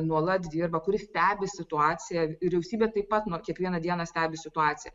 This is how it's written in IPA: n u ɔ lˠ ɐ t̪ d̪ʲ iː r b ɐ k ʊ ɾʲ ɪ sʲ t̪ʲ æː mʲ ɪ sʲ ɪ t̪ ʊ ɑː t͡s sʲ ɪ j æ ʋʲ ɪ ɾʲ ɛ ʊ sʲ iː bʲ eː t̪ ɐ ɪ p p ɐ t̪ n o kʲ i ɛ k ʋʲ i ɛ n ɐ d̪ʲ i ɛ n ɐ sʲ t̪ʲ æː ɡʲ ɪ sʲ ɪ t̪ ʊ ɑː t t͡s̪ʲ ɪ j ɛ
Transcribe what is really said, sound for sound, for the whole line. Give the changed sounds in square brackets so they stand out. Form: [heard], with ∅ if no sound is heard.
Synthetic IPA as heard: n u ɔ lˠ ɐ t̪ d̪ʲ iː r b ɐ k ʊ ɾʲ ɪ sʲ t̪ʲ æː [bʲ] ɪ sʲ ɪ t̪ ʊ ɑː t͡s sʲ ɪ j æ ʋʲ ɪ ɾʲ ɛ ʊ sʲ iː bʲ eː t̪ ɐ ɪ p p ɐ t̪ n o kʲ i ɛ k ʋʲ i ɛ n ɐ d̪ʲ i ɛ n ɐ sʲ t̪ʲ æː [bʲ] ɪ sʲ ɪ t̪ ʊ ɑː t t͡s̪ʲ ɪ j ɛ